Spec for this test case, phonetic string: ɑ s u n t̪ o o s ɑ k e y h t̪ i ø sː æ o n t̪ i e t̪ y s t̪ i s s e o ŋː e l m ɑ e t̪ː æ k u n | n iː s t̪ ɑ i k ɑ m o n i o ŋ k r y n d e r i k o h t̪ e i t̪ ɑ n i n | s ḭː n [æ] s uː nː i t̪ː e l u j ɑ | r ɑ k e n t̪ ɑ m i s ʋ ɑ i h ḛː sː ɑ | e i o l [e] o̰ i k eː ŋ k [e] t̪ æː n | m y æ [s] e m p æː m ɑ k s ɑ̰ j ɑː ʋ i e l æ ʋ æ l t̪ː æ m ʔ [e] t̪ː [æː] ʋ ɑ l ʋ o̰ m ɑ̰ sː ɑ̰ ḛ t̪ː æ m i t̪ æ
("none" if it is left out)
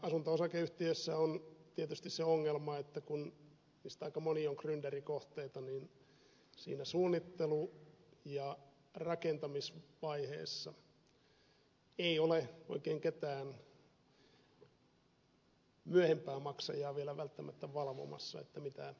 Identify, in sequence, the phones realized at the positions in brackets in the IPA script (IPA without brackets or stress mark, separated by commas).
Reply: æ, e, e, h, æ, æ